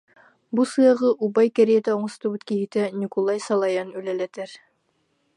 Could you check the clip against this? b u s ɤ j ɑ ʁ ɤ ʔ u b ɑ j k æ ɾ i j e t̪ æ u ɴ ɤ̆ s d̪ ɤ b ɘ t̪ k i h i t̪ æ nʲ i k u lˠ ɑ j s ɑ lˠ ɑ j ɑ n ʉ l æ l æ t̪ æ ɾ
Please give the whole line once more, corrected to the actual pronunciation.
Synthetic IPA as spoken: b u s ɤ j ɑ ʁ ɤ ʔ u b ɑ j k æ ɾ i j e t̪ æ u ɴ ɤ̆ s t̪ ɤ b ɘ t̪ k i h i t̪ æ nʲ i k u lˠ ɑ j s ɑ lˠ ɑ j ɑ n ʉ l æ l æ t̪ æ ɾ